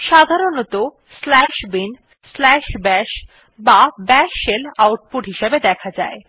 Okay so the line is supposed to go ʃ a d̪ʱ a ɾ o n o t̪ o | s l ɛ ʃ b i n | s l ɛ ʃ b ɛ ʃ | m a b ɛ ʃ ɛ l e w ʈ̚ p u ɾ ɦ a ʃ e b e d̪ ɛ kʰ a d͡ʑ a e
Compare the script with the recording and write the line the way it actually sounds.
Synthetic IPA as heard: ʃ a d̪ʱ a ɾ o n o t̪ o | s l ɛ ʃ b i n | s l ɛ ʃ b ɛ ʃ | b a b ɛ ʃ e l a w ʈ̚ p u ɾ ɦ i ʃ e b e d̪ ɛ kʰ a d͡ʑ a e